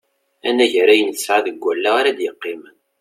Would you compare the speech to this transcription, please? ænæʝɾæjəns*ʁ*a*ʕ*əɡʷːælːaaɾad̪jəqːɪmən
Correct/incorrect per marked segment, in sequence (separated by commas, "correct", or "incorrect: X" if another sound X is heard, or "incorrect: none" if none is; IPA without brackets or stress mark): incorrect: ʕ, incorrect: ð